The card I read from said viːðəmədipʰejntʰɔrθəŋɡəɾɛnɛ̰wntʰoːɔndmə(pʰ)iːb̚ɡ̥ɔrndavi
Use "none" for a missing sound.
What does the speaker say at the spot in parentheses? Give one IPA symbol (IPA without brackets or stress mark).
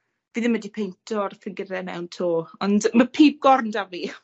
pʰ